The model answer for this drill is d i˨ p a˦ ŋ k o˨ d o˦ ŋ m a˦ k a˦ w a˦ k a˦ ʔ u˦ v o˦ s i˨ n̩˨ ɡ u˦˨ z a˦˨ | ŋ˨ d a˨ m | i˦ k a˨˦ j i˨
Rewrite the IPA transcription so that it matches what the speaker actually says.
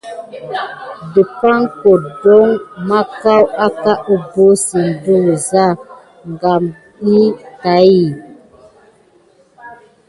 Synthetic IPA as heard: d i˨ p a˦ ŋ k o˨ d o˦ ŋ m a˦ k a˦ w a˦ k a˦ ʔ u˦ b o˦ s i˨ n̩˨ d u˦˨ z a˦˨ | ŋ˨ ɡ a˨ m | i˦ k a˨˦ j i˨

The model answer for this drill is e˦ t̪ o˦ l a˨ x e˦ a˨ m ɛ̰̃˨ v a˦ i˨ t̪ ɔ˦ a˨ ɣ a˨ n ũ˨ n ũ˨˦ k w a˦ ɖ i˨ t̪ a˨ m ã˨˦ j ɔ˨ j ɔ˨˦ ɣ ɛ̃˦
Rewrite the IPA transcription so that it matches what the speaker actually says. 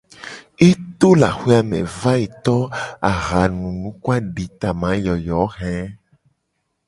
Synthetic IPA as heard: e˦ t̪ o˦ l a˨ x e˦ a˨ m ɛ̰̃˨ v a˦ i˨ t̪ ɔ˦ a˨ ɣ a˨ n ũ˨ n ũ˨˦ k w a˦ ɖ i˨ t̪ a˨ m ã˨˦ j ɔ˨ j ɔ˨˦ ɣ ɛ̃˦

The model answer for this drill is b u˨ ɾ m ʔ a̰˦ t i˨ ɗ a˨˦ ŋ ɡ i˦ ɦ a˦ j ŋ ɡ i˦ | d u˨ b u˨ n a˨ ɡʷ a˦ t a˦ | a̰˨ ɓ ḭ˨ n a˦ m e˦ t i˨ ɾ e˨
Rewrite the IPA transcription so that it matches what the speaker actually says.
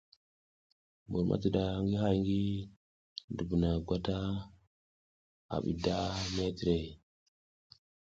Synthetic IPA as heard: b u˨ ɾ m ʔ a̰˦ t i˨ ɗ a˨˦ ŋ ɡ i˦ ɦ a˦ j ŋ ɡ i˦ | d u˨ b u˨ n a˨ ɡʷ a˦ t a˦ | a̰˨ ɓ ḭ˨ d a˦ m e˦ t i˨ ɾ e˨

